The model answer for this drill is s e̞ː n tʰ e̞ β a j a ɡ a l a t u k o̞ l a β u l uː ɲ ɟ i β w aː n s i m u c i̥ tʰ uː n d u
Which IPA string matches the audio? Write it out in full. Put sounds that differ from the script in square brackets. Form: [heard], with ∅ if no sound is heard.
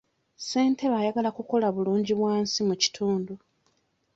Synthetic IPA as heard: s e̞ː n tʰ e̞ β a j a ɡ a l a [k] u k o̞ l a β u l uː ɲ ɟ i β w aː n s i m u c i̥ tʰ uː n d u